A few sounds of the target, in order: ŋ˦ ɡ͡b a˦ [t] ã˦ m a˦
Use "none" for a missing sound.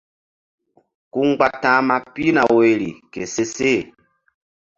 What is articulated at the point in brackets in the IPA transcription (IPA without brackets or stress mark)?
t